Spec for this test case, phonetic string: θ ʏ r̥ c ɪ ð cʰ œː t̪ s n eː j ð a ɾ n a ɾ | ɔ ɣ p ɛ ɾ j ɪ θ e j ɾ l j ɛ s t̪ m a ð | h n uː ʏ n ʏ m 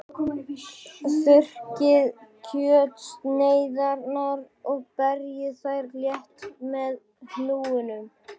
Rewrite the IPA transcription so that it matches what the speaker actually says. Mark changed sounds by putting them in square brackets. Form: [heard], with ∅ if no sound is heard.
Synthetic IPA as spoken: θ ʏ r̥ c ɪ ð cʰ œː t̪ s n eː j ð a ɾ n a ɾ | ɔ ɣ p ɛ ɾ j ɪ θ [a] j ɾ l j ɛ [h] t̪ m [ɛ] ð | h n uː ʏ n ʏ m